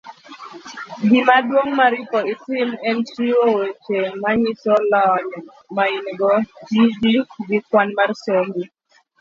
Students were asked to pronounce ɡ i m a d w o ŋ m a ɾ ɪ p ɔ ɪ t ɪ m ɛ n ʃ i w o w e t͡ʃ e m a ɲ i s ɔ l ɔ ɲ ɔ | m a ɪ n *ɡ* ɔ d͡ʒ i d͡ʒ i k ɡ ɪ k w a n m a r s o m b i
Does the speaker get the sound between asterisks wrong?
no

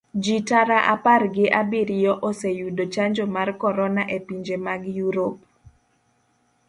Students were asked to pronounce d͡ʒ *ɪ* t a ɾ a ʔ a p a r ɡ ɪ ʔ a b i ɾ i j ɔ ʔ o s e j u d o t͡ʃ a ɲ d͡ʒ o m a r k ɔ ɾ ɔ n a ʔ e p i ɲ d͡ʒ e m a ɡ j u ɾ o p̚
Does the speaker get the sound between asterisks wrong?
yes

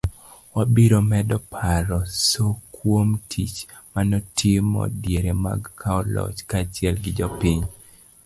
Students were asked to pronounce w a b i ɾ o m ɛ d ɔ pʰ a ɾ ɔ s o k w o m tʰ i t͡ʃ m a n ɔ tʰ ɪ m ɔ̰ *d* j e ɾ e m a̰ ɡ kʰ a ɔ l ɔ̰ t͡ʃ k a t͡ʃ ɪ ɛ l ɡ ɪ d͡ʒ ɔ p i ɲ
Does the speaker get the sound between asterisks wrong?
no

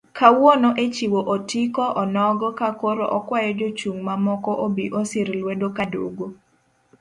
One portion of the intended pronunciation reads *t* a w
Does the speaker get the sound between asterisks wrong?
yes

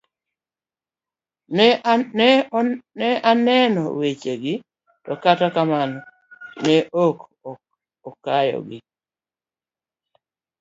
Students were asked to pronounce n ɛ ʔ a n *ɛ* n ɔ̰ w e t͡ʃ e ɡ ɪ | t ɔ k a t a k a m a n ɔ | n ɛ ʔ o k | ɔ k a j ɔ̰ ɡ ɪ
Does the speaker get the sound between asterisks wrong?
no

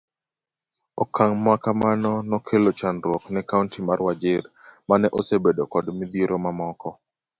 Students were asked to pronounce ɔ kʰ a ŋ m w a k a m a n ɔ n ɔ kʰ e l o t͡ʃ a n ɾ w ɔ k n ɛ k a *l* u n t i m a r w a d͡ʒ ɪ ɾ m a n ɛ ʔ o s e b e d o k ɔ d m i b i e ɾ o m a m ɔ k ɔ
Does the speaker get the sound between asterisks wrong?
yes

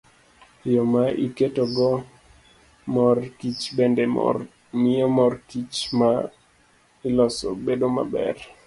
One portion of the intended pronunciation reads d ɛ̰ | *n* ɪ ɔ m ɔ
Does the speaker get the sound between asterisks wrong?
yes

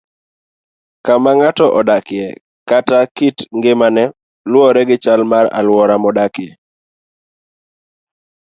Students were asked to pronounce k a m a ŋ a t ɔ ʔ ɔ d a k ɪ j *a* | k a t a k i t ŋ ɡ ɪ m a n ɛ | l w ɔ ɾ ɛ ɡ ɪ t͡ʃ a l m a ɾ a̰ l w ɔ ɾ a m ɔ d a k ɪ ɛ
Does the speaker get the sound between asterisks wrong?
yes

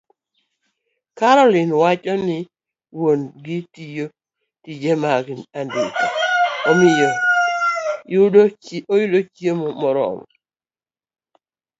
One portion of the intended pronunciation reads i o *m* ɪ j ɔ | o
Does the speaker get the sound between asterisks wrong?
no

